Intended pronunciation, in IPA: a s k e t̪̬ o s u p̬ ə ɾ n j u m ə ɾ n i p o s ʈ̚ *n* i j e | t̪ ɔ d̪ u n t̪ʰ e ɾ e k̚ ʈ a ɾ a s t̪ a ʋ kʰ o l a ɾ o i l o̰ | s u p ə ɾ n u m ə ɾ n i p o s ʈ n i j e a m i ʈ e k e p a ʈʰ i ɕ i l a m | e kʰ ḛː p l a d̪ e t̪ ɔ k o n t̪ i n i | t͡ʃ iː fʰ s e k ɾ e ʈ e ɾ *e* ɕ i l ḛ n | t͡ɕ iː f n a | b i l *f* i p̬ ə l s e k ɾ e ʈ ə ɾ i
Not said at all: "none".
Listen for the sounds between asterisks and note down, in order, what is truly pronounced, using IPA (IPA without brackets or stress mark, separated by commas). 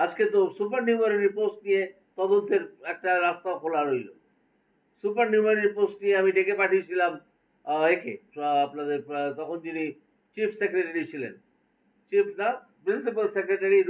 n, i, s